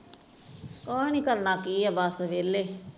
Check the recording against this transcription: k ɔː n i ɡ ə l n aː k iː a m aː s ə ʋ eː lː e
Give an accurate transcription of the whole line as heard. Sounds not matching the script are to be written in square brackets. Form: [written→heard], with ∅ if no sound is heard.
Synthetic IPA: k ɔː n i [ɡ→k] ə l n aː k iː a [m→b] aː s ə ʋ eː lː e